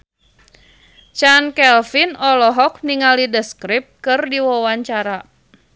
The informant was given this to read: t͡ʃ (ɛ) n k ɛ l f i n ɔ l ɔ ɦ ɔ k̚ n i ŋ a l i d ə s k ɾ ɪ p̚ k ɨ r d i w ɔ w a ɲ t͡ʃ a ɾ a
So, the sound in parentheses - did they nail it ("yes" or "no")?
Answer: no